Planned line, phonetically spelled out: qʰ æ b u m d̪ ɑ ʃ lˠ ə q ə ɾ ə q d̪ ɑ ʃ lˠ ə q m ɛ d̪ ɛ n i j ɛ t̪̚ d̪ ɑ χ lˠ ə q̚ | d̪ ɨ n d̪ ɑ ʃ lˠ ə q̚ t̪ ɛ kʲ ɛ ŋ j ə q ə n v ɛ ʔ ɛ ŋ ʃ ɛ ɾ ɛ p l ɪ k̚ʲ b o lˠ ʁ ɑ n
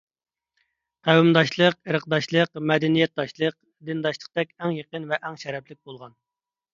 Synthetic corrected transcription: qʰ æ w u m d̪ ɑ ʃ lˠ ə q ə ɾ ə q d̪ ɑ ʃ lˠ ə q m ɛ d̪ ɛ n i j ɛ t̪̚ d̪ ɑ ʃ lˠ ə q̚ | d̪ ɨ n d̪ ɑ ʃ lˠ ə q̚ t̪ ɛ kʲ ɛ ŋ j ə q ə n v ɛ ʔ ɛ ŋ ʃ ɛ ɾ ɛ p l ɪ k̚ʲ b o lˠ ʁ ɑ n